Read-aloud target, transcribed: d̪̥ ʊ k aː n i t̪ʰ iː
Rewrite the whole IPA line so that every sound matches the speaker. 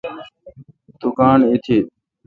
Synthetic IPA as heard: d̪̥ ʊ k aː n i t̪ʰ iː